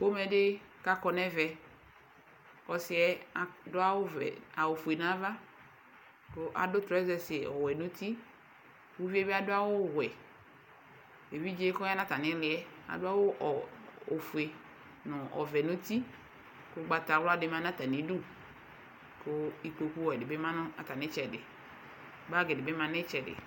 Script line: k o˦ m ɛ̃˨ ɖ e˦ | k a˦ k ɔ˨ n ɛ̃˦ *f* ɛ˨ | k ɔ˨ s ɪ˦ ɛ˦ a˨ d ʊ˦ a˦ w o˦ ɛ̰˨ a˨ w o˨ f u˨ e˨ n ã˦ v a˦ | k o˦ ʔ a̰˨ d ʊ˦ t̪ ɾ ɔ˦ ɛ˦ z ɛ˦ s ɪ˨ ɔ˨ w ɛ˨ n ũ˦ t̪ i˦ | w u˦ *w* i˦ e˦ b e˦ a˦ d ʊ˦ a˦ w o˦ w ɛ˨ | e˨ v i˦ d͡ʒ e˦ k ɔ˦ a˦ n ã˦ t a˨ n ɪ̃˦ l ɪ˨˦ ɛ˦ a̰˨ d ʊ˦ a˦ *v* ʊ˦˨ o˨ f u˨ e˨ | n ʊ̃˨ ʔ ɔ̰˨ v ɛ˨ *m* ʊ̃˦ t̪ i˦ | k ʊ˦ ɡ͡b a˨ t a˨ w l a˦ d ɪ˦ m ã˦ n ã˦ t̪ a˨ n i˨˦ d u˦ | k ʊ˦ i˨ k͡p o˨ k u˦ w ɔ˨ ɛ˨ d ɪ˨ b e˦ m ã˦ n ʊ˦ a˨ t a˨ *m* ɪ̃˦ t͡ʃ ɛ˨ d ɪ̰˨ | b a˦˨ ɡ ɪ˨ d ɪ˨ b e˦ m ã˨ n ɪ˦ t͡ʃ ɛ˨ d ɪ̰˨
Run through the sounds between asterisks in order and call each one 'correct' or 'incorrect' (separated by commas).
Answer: incorrect, incorrect, incorrect, incorrect, incorrect